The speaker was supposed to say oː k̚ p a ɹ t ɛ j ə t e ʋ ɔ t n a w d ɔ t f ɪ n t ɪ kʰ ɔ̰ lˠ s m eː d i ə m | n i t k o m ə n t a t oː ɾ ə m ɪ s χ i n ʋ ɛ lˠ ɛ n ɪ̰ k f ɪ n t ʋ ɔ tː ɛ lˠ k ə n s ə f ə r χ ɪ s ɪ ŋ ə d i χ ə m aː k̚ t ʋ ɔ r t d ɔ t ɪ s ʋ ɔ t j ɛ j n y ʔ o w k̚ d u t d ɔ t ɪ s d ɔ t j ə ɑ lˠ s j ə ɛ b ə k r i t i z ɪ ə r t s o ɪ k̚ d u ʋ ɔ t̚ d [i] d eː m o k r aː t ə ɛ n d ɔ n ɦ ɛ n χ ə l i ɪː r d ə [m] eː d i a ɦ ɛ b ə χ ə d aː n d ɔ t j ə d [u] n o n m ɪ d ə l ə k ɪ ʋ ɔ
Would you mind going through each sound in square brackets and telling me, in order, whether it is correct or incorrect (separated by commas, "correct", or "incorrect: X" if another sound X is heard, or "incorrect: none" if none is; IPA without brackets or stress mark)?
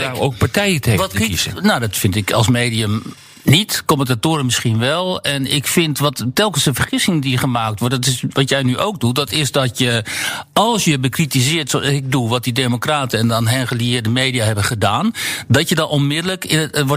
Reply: correct, correct, incorrect: ɔ